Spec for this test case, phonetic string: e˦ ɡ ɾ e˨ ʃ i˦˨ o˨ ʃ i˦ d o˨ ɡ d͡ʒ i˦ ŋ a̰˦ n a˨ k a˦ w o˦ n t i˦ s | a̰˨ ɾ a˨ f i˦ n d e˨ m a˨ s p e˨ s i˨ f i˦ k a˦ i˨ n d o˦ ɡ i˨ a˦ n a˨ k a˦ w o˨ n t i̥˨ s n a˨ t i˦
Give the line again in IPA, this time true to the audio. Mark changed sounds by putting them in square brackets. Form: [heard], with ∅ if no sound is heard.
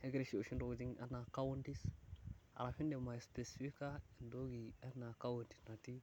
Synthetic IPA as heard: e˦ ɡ ɾ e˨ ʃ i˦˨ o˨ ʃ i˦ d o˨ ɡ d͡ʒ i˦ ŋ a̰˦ n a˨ k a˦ w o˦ n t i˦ s | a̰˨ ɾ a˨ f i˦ n d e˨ m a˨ s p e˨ s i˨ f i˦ k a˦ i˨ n d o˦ ɡ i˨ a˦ n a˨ k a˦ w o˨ n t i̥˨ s n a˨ t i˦